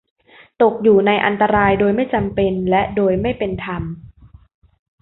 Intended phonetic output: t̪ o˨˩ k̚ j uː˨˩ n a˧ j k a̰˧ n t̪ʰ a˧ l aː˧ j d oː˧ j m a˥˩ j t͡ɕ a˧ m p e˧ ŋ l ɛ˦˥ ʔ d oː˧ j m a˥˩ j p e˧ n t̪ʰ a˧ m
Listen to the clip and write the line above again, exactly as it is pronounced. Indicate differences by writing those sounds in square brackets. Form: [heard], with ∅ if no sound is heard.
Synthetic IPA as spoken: t̪ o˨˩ k̚ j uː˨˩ n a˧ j [ʔ] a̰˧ n [t̪] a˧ [ɾ] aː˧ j d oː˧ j m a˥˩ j t͡ɕ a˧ m p e˧ [n] l ɛ˦˥ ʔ d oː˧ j m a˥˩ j p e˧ n t̪ʰ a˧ m